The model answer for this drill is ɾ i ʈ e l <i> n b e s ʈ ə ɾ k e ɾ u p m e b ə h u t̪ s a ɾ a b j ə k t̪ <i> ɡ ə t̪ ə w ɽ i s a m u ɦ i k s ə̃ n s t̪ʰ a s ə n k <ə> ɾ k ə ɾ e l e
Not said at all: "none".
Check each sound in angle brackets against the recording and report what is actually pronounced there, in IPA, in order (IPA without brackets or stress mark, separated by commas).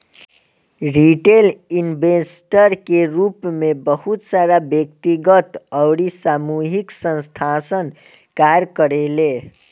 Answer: i, i, a